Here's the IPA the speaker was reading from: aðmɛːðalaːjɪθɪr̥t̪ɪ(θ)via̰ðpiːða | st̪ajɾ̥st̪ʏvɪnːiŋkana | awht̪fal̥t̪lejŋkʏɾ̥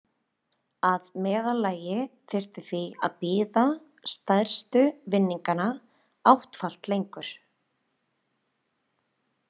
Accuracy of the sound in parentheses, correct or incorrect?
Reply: correct